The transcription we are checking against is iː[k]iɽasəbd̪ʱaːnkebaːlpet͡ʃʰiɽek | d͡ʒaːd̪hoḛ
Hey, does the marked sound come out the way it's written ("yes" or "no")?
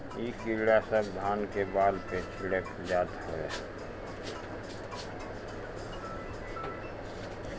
yes